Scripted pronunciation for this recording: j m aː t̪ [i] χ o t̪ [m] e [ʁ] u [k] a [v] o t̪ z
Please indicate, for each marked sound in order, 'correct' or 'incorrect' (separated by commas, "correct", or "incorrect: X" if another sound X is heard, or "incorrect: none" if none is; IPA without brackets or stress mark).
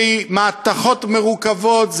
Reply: incorrect: a, correct, correct, correct, correct